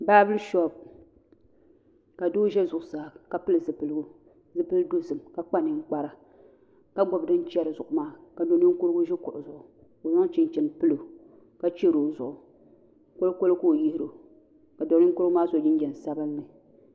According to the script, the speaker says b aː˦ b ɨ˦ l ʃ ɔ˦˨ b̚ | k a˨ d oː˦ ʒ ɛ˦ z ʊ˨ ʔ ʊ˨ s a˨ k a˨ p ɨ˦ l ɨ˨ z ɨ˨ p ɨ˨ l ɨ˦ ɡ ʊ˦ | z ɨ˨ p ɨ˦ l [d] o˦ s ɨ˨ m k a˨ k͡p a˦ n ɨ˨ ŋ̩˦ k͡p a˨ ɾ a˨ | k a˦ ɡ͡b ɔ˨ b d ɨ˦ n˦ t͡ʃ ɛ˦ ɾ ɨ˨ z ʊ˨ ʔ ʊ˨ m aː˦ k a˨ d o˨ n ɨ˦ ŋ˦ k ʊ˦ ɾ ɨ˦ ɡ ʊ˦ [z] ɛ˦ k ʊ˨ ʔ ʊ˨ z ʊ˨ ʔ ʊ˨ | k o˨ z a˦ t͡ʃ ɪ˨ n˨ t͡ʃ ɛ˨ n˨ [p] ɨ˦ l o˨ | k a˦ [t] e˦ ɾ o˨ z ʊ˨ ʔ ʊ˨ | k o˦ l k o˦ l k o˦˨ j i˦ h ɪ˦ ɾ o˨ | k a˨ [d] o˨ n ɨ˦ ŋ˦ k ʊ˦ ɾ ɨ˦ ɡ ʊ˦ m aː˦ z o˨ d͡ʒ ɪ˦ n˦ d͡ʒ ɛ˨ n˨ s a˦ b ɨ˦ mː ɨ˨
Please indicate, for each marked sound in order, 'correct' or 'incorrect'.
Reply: correct, incorrect, correct, incorrect, correct

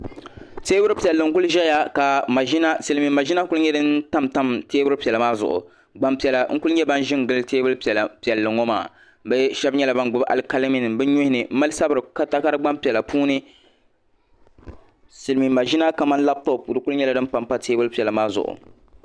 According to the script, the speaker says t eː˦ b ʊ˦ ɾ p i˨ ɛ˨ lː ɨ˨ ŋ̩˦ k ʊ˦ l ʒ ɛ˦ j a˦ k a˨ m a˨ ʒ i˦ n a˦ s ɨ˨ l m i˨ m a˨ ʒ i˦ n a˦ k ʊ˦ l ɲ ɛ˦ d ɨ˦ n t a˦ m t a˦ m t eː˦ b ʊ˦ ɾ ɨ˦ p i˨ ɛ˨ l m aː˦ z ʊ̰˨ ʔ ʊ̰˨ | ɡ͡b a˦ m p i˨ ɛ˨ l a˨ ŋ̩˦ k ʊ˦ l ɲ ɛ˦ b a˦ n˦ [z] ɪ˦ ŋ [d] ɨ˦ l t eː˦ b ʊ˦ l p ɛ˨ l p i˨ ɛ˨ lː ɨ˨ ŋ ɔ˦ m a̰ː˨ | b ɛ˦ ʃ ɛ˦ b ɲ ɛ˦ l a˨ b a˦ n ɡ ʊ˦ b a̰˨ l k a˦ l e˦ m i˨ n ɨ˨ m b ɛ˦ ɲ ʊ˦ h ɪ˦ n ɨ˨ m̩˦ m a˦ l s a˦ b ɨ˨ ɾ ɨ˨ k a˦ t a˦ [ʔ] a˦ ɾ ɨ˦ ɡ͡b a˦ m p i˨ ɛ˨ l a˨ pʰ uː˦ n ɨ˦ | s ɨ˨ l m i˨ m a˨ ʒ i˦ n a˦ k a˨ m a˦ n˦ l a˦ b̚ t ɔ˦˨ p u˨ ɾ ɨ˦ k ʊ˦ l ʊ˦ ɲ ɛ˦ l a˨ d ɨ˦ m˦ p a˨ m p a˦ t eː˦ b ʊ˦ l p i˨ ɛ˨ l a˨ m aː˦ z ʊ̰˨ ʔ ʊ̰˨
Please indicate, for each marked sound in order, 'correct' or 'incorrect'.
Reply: incorrect, incorrect, incorrect

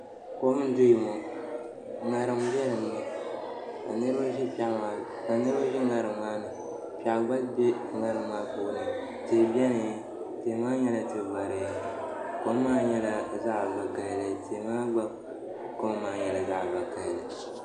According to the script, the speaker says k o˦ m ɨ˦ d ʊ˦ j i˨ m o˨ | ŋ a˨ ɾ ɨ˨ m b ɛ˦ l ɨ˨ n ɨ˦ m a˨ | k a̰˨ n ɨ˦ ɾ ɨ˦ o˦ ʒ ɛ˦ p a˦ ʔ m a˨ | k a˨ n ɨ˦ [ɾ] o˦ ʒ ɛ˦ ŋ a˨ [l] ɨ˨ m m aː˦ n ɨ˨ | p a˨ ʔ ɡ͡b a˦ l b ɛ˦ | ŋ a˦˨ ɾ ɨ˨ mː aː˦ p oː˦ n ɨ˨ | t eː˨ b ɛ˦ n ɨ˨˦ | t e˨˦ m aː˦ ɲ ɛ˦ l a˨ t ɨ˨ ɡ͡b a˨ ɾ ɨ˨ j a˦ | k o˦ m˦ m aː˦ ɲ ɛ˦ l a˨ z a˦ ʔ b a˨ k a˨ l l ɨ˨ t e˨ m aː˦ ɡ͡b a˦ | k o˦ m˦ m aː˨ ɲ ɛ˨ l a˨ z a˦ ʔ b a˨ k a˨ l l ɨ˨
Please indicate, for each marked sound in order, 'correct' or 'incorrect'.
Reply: correct, incorrect

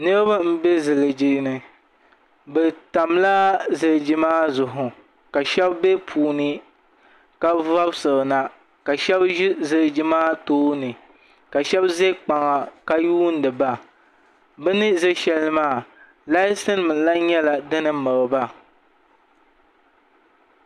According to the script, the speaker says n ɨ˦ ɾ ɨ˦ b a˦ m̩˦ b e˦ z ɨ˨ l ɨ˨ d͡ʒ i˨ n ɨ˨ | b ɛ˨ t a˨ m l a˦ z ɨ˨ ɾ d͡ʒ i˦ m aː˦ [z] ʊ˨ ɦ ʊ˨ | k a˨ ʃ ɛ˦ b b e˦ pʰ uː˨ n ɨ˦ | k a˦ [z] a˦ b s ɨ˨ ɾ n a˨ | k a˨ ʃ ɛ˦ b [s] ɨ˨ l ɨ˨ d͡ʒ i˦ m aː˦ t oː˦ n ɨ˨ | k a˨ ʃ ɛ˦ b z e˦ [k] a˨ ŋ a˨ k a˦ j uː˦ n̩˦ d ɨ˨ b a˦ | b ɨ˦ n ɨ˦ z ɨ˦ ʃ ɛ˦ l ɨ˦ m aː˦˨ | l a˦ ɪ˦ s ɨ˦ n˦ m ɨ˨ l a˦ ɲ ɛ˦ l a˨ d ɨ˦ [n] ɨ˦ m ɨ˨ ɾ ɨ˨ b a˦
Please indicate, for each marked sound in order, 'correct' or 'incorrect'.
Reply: correct, incorrect, incorrect, incorrect, correct

